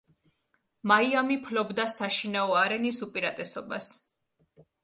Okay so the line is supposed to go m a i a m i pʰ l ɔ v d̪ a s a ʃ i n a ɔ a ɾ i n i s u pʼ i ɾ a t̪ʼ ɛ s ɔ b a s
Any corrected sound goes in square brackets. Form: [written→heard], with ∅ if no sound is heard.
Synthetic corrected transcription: m a i a m i pʰ l ɔ [v→b] d̪ a s a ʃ i n a ɔ a ɾ [i→ɛ] n i s u pʼ i ɾ a t̪ʼ ɛ s ɔ b a s